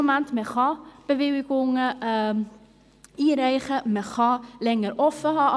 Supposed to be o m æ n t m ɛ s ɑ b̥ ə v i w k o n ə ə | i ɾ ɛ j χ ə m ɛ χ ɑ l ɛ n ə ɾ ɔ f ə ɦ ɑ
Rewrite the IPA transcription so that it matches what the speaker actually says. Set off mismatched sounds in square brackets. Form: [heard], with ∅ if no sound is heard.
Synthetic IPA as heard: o m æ n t m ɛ [χ] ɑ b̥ ə v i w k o [ŋ] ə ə | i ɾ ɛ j χ ə m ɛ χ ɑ l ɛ [ŋ] ə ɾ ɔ f ə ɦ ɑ